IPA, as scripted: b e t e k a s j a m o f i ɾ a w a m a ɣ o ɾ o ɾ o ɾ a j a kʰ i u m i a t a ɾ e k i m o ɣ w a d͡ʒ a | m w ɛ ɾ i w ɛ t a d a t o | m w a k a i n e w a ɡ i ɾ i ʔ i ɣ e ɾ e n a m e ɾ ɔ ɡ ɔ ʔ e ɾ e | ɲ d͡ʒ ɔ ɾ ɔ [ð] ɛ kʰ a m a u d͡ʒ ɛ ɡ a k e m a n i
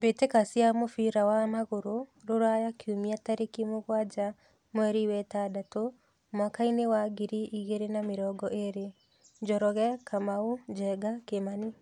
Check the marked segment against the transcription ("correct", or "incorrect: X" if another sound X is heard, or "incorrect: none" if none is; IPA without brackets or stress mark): incorrect: ɣ